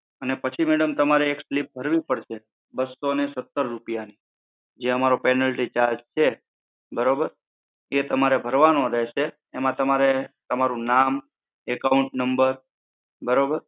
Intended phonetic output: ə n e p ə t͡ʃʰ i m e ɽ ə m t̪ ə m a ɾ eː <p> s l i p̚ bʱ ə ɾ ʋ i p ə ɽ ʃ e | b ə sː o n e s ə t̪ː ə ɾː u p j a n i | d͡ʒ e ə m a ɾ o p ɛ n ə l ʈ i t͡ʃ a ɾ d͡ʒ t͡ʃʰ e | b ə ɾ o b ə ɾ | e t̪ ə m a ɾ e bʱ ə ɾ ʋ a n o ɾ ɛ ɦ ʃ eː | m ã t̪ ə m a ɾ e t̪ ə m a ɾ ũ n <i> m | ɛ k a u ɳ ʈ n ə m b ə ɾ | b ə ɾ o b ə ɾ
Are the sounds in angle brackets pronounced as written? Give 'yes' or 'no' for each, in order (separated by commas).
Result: no, no